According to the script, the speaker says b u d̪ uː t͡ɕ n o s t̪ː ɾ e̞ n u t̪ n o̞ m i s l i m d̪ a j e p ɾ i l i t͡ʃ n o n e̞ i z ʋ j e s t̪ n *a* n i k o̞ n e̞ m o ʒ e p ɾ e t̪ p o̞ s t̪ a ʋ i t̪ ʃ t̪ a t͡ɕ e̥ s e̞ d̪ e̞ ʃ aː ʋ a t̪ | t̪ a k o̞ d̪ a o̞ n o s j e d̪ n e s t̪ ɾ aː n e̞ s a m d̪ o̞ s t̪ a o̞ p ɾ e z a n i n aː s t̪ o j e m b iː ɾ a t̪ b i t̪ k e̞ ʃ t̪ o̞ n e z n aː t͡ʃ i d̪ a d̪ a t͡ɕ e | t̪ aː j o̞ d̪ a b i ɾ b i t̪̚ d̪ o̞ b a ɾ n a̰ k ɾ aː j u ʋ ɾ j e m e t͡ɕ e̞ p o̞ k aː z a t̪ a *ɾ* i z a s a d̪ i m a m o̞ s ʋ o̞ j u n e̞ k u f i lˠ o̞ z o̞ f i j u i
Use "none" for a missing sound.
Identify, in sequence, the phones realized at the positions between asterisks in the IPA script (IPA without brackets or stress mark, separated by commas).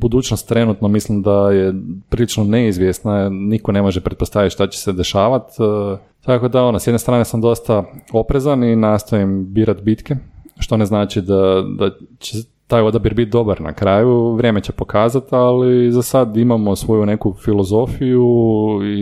a, l